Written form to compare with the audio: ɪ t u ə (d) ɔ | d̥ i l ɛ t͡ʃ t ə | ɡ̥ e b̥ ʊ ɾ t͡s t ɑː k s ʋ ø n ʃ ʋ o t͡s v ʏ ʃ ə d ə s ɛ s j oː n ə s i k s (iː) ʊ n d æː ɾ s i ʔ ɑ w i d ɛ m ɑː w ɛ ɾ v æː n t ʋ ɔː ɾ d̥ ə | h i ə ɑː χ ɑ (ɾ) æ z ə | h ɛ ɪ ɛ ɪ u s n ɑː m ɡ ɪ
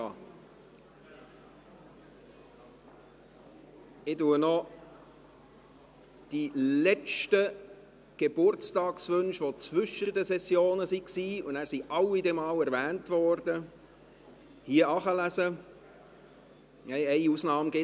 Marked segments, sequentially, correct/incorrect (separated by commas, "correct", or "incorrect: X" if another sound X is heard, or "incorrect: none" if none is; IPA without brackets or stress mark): incorrect: n, correct, incorrect: l